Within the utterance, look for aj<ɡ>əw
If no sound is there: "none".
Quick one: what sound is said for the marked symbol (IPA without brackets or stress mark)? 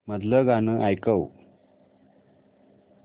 k